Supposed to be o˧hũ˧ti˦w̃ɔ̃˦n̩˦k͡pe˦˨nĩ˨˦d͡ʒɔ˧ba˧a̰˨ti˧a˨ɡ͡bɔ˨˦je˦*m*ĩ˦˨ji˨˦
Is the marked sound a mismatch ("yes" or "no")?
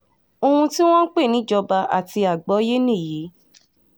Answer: yes